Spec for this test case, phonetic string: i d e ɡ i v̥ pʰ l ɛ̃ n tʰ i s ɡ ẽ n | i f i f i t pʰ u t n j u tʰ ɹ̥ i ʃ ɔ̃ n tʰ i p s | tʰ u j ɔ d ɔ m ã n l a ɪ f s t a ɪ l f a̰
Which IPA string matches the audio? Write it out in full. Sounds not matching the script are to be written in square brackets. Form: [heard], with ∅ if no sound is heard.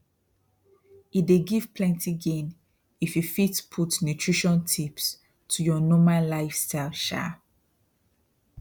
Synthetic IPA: i d e ɡ i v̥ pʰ l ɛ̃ n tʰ i [∅] ɡ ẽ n | i f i f i t pʰ u t n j u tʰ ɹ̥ i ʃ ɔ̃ n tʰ i p s | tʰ u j ɔ [n] ɔ m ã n l a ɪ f s t a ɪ l [ʃ] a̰